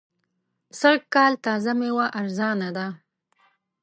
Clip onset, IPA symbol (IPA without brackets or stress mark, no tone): s